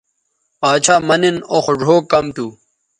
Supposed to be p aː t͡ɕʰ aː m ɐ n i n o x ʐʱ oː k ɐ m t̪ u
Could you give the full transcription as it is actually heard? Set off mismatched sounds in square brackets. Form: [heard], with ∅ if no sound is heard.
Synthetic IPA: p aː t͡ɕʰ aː m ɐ n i n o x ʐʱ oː k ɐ m t̪ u